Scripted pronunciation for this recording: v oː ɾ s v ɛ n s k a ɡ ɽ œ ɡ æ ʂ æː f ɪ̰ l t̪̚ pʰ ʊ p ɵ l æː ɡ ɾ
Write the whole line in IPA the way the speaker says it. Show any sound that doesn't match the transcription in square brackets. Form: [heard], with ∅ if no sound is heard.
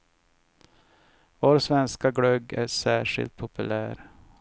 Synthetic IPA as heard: v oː ɾ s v ɛ n s k a ɡ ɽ œ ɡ æ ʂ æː [ʂ] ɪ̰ l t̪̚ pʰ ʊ p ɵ l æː [∅] ɾ